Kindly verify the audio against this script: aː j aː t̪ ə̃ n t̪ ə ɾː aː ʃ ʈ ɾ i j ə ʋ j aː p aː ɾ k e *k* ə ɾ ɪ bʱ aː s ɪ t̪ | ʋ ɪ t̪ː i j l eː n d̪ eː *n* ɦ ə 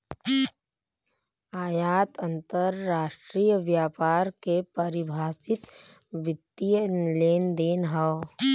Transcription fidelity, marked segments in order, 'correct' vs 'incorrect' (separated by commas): incorrect, correct